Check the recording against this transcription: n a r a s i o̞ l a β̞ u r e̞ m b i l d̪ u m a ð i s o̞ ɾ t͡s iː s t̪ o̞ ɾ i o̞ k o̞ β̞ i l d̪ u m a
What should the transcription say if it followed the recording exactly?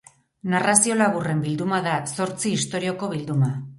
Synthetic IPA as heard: n a r a s i o̞ l a β̞ u r e̞ m b i l d̪ u m a ð a s o̞ ɾ t͡s iː s t̪ o̞ ɾ i o̞ k o̞ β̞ i l d̪ u m a